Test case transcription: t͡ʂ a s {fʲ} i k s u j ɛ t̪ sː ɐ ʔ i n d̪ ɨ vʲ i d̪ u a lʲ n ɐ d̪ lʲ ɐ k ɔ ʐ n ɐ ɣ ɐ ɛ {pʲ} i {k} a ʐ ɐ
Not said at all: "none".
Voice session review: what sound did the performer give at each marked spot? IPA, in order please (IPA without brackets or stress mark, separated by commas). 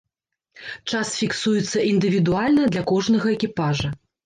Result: fʲ, kʲ, p